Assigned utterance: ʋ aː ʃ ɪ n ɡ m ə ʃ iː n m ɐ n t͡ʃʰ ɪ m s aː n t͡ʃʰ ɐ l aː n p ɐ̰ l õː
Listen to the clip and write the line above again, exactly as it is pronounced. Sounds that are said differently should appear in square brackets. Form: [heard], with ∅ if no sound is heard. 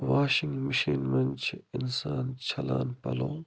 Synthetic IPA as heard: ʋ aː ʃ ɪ [ŋ] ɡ m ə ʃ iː n m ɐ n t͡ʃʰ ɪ [n] s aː n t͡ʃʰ ɐ l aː n p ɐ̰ l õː